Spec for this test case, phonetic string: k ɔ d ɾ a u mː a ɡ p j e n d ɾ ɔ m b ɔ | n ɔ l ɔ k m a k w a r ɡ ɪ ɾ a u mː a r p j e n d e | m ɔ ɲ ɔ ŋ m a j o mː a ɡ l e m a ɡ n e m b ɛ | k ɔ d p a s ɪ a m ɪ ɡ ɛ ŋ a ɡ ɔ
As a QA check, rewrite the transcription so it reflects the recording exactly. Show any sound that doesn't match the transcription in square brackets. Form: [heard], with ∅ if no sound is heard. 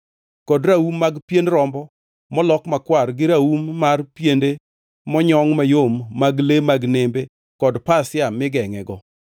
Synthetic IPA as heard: k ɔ d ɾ a u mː a ɡ p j e n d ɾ ɔ m b ɔ | [m] ɔ l ɔ k m a k w a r ɡ ɪ ɾ a u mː a r p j e n d e | m ɔ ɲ ɔ ŋ m a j o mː a ɡ l e m a ɡ n e m b [e] | k ɔ d p a s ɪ a m ɪ ɡ ɛ ŋ [ɛ] ɡ ɔ